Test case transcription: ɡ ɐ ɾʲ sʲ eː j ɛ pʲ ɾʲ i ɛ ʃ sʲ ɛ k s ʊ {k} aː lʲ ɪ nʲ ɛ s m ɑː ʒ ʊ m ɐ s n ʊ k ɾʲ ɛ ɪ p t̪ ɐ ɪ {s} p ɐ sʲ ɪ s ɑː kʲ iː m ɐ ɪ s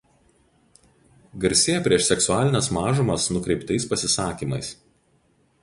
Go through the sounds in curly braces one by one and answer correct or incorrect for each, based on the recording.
incorrect: none, correct

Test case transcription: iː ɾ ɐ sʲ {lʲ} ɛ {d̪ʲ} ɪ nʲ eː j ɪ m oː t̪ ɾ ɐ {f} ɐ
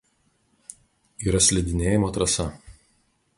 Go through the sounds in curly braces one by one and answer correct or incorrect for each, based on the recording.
correct, correct, incorrect: s

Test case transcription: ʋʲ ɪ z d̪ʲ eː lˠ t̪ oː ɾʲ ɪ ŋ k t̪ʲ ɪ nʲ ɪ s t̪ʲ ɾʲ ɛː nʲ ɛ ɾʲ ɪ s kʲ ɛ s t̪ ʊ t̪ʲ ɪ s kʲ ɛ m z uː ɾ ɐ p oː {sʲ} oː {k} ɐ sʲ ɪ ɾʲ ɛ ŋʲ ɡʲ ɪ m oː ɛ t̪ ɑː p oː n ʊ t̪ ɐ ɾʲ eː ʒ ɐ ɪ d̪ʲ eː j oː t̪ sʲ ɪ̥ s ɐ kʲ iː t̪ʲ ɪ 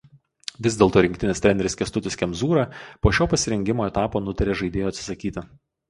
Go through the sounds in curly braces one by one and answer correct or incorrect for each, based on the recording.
incorrect: ʃʲ, incorrect: p

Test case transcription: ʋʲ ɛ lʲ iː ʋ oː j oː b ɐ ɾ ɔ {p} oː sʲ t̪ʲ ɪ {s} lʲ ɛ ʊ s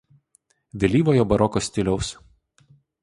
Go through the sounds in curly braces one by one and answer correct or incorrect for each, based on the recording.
incorrect: k, incorrect: none

